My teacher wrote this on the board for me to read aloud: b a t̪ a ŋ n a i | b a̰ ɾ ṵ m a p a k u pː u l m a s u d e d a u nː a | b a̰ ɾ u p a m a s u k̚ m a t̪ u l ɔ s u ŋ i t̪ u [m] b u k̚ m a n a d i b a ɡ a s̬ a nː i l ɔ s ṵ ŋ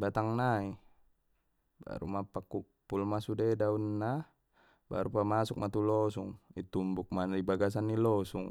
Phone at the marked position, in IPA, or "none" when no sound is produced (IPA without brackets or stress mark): m